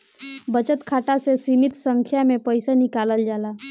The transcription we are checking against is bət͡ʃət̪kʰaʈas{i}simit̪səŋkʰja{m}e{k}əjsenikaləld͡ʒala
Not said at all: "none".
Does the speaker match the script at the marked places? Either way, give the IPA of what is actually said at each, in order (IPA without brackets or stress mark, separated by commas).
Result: e, m, p